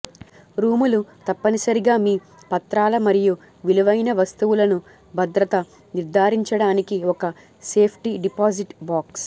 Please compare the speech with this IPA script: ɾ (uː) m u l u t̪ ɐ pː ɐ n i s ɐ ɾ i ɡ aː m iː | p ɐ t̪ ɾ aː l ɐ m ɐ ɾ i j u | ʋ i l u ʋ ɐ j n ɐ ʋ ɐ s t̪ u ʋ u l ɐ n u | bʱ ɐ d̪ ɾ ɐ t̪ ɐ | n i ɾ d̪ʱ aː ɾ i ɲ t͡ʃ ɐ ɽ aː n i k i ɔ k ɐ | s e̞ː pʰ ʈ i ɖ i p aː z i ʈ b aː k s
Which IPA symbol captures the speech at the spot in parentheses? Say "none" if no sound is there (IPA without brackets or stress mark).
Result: uː